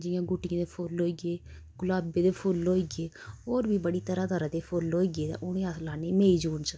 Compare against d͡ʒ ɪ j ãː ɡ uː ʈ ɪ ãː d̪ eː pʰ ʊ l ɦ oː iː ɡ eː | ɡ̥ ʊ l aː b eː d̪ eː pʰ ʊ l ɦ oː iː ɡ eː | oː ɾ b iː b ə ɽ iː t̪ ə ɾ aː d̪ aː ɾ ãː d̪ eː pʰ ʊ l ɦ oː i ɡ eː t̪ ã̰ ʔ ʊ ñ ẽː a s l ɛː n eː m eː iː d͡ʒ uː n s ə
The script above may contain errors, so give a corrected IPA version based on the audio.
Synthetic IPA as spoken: d͡ʒ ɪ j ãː ɡ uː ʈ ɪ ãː d̪ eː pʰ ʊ l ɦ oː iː ɡ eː | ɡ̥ ʊ l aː b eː d̪ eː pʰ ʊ l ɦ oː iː ɡ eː | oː ɾ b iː b ə ɽ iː t̪ ə ɾ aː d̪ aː ɾ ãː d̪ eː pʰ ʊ l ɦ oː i ɡ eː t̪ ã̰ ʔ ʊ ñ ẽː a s l aː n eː m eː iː d͡ʒ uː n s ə